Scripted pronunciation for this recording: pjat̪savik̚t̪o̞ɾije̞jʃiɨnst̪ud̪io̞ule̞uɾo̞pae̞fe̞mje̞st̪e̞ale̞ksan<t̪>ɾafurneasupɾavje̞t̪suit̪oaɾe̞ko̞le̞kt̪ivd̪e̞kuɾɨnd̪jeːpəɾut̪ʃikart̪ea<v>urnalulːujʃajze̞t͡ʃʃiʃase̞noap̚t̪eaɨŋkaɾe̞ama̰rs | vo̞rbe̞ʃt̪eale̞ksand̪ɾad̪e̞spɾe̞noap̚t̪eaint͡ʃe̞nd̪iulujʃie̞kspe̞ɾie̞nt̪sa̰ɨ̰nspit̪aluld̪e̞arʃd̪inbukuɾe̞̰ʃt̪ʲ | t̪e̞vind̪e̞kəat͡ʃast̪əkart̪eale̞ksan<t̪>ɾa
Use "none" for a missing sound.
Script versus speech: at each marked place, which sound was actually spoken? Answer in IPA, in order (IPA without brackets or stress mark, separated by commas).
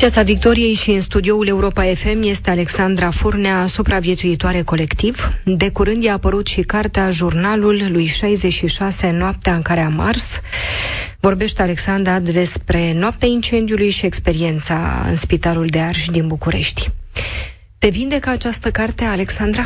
d̪, ʒ, d̪